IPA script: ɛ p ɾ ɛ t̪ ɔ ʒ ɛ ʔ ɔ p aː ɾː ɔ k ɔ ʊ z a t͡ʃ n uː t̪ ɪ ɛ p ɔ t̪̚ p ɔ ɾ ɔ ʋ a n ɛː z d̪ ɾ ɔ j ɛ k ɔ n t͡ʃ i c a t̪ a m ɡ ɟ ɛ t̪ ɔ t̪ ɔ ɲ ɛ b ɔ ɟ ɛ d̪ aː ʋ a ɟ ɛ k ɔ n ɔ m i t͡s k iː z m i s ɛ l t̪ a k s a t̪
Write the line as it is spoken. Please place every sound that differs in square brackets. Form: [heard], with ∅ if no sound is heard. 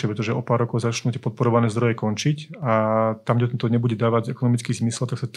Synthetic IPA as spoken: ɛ p ɾ ɛ t̪ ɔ ʒ ɛ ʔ ɔ p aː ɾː ɔ k ɔ ʊ z a t͡ʃ n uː t̪ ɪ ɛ p ɔ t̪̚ p ɔ ɾ ɔ ʋ a n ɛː z d̪ ɾ ɔ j ɛ k ɔ n t͡ʃ i c a t̪ a m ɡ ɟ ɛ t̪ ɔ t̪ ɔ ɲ ɛ b [u] ɟ ɛ d̪ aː ʋ a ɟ ɛ k ɔ n ɔ m i t͡s k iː z m i s ɛ l t̪ a k s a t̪